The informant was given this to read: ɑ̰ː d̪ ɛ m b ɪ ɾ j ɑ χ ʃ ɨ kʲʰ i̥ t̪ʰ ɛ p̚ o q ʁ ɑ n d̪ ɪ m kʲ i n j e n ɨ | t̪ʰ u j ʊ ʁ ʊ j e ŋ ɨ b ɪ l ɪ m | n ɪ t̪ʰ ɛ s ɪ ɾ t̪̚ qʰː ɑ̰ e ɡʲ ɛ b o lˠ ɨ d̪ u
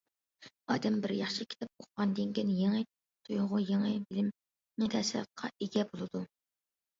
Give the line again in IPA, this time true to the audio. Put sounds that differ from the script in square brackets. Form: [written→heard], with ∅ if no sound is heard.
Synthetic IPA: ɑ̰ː d̪ ɛ m b ɪ ɾ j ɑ χ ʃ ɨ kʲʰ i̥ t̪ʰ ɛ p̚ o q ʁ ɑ n d̪ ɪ [m→ŋ] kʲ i n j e [n→ŋ] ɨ | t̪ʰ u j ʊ ʁ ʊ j e ŋ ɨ b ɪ l ɪ m | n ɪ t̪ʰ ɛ s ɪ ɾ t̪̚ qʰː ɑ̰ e ɡʲ ɛ b o lˠ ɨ d̪ u

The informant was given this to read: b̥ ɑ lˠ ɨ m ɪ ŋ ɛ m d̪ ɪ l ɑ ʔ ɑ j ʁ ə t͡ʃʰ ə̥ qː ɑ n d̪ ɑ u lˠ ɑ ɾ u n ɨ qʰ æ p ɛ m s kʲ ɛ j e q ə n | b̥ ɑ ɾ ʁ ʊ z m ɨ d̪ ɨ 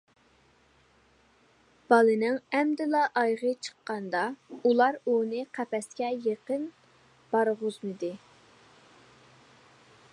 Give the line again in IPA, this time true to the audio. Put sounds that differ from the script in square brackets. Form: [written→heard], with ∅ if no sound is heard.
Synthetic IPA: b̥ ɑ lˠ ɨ [m→n] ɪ ŋ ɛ m d̪ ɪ l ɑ ʔ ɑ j ʁ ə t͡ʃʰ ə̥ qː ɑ n d̪ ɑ u lˠ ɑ ɾ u n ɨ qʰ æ p ɛ [m→∅] s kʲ ɛ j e q ə n | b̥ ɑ ɾ ʁ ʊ z m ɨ d̪ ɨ

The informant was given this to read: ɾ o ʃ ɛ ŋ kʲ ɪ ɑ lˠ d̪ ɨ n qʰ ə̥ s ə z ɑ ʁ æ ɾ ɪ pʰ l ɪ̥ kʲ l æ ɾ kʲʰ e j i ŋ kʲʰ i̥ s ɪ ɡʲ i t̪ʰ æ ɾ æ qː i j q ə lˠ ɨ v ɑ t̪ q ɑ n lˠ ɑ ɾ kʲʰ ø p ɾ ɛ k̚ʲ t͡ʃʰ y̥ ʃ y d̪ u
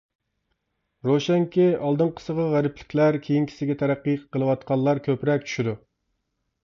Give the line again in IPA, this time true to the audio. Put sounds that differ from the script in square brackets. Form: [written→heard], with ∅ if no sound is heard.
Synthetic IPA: ɾ o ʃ ɛ ŋ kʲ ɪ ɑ lˠ d̪ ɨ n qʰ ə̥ s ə [z→ʁ] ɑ ʁ æ ɾ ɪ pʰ l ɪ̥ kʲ l æ ɾ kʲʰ e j i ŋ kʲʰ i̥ s ɪ ɡʲ [i→ɛ] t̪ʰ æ ɾ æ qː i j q ə lˠ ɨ [v→w] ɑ t̪ q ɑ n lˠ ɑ ɾ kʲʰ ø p ɾ ɛ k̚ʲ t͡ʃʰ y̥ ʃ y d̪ u

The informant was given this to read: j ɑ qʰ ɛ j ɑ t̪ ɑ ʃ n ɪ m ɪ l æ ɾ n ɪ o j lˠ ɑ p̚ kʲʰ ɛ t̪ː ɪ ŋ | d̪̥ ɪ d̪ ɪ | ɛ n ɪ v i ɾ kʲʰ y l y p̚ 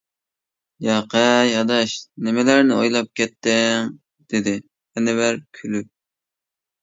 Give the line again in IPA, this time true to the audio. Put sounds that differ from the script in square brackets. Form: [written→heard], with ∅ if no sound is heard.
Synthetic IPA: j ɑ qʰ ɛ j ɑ [t̪→d̪] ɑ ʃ n ɪ m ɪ l æ ɾ n ɪ o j lˠ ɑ p̚ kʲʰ ɛ t̪ː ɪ ŋ | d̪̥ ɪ d̪ ɪ | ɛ n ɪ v [i→æ] ɾ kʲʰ y l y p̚

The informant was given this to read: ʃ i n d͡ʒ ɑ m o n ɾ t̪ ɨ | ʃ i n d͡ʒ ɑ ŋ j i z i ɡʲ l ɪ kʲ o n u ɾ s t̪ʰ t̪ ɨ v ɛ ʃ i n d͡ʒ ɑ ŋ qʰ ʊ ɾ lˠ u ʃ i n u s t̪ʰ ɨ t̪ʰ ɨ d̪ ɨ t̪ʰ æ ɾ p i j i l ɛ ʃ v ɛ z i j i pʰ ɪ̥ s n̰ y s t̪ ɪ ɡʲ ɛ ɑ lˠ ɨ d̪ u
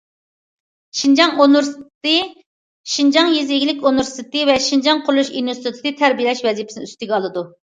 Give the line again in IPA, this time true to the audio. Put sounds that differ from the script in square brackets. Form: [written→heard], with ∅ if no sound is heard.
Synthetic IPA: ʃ i n d͡ʒ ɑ [m→ŋ] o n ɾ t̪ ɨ | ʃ i n d͡ʒ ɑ ŋ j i z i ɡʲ l ɪ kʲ o n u ɾ s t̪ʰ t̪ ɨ v ɛ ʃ i n d͡ʒ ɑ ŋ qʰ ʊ ɾ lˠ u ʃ i n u s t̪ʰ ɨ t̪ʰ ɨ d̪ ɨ t̪ʰ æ ɾ [p→b] i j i l ɛ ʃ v ɛ z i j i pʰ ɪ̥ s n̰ y s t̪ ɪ ɡʲ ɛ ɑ lˠ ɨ d̪ u

